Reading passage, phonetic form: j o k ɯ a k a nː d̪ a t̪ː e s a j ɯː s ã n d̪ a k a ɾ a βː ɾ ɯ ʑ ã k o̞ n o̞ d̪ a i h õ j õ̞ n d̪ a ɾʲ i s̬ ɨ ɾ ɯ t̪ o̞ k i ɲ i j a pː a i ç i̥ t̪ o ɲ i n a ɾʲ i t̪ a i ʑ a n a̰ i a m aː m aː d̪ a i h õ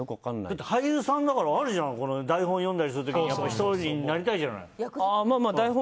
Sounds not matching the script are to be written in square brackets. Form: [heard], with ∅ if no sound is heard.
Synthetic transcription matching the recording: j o k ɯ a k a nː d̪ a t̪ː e [h] a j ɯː s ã n d̪ a k a ɾ a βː ɾ ɯ ʑ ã k o̞ n o̞ d̪ a i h õ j õ̞ n d̪ a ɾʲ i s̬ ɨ ɾ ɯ t̪ o̞ k i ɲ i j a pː a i ç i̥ t̪ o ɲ i n a ɾʲ i t̪ a i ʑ a n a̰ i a m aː m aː d̪ a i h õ